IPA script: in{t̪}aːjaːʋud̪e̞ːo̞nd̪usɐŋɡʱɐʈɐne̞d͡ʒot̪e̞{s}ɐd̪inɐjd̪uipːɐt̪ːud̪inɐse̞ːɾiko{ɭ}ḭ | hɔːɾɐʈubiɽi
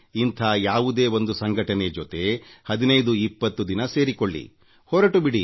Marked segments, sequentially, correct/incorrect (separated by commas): incorrect, incorrect, incorrect